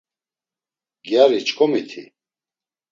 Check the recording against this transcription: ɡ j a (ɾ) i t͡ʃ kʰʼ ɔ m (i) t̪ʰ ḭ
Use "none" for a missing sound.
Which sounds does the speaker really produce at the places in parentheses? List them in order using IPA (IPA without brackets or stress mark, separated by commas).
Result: ɾ, i